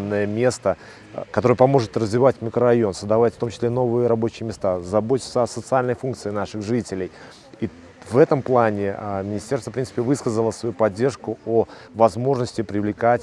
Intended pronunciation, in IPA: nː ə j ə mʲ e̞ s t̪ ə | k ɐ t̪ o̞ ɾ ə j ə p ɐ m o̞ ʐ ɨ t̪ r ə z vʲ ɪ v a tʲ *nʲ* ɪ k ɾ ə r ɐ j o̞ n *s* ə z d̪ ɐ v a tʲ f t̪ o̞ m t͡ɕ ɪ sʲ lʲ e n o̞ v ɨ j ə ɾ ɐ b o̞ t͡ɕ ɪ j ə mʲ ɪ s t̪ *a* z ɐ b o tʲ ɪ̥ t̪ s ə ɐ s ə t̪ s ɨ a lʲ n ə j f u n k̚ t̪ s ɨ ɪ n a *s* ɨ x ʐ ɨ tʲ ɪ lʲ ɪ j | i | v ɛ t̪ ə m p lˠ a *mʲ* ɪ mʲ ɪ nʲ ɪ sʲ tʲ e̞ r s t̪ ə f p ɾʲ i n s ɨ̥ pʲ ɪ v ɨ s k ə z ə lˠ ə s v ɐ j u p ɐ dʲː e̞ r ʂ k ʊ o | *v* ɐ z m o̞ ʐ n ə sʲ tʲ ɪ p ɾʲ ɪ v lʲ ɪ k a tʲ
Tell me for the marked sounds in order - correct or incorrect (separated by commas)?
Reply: incorrect, correct, correct, incorrect, incorrect, correct